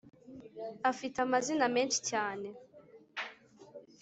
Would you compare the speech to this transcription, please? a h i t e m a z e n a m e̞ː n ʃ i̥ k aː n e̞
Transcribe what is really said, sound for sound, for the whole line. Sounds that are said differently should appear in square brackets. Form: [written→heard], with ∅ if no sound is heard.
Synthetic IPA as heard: a [h→f] i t [e→a] m a z [e→i] n a m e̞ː n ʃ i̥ [k→c] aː n e̞